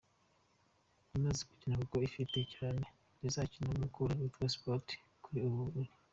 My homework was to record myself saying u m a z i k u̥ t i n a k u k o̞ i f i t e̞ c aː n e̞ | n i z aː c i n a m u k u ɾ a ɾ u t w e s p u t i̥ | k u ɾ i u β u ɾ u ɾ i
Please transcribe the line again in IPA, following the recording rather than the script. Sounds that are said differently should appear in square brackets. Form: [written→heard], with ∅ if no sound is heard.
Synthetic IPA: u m a z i k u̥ [t→c] i n a k u k o̞ i f i t e̞ c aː n e̞ | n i z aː c i n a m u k u ɾ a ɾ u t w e s p [u→o] t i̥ | k u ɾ i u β u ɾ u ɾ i

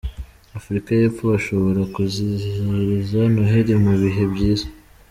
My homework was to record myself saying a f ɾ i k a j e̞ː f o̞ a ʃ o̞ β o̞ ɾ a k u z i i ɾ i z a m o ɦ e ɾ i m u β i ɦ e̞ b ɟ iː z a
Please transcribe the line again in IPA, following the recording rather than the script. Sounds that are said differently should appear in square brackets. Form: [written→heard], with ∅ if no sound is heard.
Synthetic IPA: a f ɾ i k a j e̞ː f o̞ a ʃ o̞ β o̞ ɾ a k u z i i ɾ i z a [m→n] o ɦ e ɾ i m u β i ɦ e̞ b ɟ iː z a

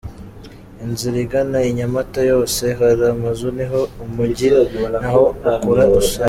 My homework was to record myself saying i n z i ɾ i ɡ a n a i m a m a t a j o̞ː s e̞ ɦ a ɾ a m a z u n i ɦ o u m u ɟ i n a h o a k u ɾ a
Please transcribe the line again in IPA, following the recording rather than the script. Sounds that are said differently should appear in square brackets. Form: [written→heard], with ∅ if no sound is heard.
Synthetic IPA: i n z i ɾ i ɡ a n a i [m→ɲ] a m a t a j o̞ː s e̞ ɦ a ɾ a m a z u n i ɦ o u m u ɟ i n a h o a k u ɾ a

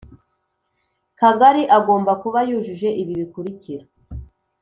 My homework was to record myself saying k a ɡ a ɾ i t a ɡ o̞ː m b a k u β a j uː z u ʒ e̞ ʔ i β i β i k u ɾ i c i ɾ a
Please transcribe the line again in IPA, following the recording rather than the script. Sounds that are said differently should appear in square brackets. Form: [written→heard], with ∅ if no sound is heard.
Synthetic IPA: k a ɡ a ɾ i [t→ʔ] a ɡ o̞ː m b a k u β a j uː [z→ʒ] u ʒ e̞ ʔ i β i β i k u ɾ i c i ɾ a

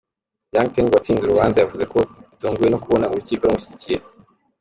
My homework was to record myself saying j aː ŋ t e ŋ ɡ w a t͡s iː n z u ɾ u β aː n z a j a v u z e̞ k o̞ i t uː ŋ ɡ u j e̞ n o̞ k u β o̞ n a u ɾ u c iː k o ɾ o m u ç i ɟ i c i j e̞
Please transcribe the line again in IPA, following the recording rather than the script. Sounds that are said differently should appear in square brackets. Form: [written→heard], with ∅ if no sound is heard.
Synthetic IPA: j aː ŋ t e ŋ ɡ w a t͡s iː n z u ɾ u β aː n z a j a v u z e̞ k o̞ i t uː ŋ ɡ u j e̞ n o̞ k u β o̞ n a u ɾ u c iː k o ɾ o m u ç i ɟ i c i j e̞

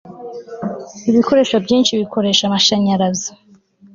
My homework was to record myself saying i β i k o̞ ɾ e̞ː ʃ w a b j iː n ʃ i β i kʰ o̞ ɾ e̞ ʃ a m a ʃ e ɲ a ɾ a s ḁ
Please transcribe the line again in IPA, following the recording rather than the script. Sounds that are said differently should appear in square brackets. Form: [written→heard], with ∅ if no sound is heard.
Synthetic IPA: i β i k o̞ ɾ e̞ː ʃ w a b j iː n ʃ i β i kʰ o̞ ɾ e̞ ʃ a m a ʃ [e→a] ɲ a ɾ a [s→z] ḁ

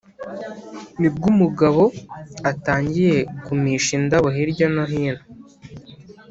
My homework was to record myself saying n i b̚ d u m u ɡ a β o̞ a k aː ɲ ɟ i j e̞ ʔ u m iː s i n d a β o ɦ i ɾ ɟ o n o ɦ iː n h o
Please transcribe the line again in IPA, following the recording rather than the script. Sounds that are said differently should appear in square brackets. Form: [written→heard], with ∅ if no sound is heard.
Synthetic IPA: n i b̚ [d→ɡ] u m u ɡ a β o̞ a [k→t] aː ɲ ɟ i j e̞ [ʔ→k] u m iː [s→ʃ] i n d a β o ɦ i ɾ ɟ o n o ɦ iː n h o

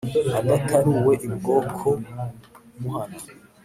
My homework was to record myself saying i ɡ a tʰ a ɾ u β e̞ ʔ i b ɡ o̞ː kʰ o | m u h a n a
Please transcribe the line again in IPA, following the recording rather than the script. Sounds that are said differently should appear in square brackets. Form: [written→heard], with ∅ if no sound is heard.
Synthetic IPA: [i→a] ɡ a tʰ a ɾ u [β→w] e̞ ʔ i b ɡ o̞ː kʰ o | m u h a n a

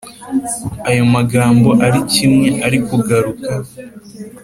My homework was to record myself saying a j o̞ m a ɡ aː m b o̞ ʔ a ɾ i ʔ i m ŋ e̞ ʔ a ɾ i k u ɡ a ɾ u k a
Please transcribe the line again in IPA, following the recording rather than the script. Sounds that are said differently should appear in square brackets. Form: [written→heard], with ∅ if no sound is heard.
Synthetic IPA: a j o̞ m a ɡ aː m b o̞ ʔ a ɾ i [ʔ→c] i m ŋ e̞ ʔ a ɾ i k u ɡ a ɾ u k a

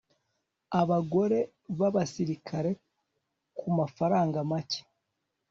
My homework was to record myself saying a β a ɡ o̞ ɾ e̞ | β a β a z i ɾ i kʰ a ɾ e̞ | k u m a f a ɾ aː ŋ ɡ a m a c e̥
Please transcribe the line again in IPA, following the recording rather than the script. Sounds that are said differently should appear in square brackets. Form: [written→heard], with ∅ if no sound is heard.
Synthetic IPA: a β a ɡ o̞ ɾ e̞ | β a β a [z→s] i ɾ i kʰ a ɾ e̞ | k u m a f a ɾ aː ŋ ɡ a m a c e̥

